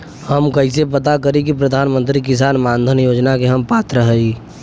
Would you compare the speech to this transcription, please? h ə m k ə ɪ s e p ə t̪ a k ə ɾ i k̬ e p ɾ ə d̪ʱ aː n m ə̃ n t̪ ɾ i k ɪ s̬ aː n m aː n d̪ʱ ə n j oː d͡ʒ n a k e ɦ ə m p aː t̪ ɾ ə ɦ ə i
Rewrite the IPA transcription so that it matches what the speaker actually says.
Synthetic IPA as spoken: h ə m k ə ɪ s e p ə t̪ a k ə ɾ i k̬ i p ɾ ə d̪ʱ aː n m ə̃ n t̪ ɾ i k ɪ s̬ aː n m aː n d̪ʱ ə n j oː d͡ʒ n a k e ɦ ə m p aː t̪ ɾ ə ɦ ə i